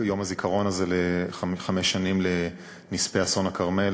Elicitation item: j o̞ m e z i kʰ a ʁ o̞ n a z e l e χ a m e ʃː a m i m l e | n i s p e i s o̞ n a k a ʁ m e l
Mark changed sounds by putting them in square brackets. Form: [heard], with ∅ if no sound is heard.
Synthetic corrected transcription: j o̞ m [a] z i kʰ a ʁ o̞ n a z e l e χ a m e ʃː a [n] i m l e | n i s p e [a] s o̞ n a k a ʁ m e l